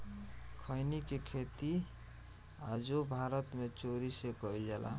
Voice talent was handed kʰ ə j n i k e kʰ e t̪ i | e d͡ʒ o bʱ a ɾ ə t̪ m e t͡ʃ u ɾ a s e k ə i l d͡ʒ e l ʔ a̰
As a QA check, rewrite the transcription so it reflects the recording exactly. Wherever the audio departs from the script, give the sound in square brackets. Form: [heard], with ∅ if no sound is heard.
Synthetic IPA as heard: kʰ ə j n i k e kʰ e t̪ i | [a] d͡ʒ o bʱ a ɾ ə t̪ m e t͡ʃ [o] ɾ [i] s e k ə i l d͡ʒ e l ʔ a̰